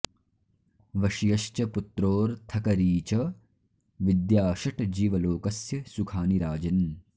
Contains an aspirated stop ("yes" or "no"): yes